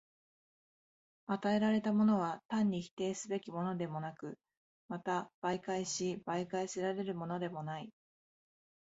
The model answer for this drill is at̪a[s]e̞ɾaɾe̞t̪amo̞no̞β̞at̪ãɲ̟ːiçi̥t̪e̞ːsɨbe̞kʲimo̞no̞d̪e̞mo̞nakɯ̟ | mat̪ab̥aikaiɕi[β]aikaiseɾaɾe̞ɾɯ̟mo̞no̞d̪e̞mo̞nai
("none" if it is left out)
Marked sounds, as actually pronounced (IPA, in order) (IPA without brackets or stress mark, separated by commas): none, b